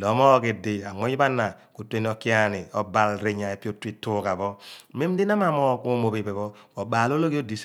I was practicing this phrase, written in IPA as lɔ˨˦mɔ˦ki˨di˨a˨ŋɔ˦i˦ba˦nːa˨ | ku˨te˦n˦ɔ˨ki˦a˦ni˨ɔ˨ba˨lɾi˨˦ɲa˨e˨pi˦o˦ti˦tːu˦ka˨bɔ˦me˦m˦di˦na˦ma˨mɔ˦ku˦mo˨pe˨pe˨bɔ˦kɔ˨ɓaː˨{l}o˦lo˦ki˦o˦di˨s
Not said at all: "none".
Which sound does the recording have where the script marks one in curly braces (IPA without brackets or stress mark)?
l